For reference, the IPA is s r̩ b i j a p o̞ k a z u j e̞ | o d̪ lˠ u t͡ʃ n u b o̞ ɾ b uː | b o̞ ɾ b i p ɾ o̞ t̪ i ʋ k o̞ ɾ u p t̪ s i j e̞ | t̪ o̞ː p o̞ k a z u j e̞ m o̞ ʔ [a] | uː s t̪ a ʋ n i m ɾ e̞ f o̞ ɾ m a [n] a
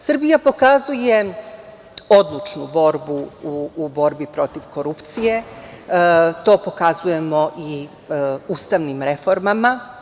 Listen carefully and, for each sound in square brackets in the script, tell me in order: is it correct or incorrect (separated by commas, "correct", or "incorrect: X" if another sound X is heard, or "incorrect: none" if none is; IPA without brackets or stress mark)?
incorrect: i, incorrect: m